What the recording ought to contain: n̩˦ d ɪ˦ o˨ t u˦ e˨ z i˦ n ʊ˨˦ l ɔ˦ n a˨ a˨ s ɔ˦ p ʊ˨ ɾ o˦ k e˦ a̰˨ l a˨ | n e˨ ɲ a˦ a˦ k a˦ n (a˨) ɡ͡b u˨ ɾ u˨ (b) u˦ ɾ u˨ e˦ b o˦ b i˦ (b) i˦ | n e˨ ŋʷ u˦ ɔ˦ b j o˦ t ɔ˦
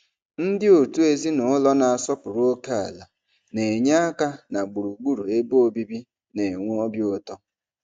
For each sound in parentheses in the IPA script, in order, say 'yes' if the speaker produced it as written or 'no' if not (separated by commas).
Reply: yes, no, yes